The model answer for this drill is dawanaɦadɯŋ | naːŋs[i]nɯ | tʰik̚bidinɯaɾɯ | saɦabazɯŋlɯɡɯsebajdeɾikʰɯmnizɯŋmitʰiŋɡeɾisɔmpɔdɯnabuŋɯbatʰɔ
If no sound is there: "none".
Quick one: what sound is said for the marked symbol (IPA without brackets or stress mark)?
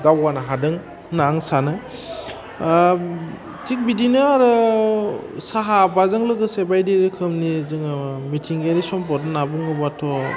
a